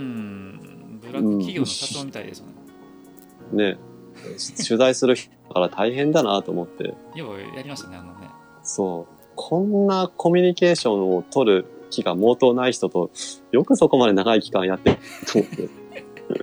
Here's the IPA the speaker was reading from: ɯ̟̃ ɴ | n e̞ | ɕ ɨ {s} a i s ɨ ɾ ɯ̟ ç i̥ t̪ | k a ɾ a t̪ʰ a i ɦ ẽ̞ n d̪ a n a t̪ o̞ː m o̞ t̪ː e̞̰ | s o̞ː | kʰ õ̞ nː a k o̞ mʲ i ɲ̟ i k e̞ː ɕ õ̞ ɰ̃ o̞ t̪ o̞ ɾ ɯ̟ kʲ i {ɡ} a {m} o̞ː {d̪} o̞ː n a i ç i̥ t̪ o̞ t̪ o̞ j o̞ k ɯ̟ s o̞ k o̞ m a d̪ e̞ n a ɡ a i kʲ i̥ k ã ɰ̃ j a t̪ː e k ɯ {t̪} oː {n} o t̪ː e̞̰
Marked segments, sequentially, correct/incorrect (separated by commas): incorrect, correct, correct, incorrect, correct, incorrect